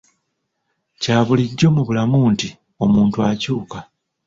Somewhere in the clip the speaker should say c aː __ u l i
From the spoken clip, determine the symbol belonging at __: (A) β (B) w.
A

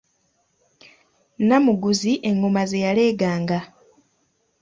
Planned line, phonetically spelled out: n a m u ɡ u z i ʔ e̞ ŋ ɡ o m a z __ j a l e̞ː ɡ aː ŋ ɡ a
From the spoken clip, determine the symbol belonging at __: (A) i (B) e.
B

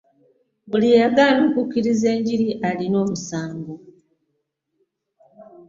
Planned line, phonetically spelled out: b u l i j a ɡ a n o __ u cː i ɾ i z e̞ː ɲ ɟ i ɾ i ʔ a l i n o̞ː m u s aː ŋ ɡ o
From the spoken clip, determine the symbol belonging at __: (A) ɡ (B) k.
B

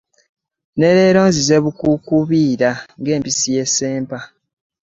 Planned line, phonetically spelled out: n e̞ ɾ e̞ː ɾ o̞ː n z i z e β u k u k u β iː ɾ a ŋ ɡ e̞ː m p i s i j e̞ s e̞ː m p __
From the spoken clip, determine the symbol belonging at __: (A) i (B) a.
B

